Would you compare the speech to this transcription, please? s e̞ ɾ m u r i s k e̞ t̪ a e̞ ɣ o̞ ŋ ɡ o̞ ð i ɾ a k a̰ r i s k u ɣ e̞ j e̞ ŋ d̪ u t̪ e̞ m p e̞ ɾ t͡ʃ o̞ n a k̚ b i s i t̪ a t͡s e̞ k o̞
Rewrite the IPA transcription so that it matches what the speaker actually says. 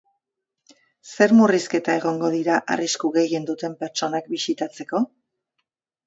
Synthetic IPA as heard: s e̞ ɾ m u r i s k e̞ t̪ a e̞ ɣ o̞ ŋ ɡ o̞ ð i ɾ a ʔ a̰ r i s k u ɣ e̞ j e̞ n d̪ u t̪ e̞ m p e̞ ɾ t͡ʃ o̞ n a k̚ b i s i t̪ a t͡s e̞ k o̞